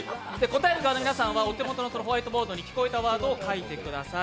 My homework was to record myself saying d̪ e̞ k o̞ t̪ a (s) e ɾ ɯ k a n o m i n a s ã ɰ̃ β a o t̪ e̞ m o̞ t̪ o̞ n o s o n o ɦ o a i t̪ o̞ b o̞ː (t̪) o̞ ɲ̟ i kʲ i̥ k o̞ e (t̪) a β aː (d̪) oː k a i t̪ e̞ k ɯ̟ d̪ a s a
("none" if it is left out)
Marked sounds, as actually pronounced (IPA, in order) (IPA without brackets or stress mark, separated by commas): none, d̪, t̪, d̪